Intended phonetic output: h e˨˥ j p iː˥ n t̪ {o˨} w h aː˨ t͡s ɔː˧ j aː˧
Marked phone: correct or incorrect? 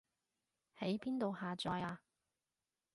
correct